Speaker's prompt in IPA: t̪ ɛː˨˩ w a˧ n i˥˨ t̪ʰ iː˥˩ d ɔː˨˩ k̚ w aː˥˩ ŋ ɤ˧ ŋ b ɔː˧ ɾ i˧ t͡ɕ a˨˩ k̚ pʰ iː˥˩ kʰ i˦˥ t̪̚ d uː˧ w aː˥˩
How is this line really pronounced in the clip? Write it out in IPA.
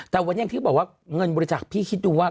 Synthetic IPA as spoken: t̪ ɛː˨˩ w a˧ n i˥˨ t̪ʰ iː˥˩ b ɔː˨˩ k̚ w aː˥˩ ŋ ɤ˧ n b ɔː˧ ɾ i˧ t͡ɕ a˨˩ k̚ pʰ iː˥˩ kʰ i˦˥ t̪̚ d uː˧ w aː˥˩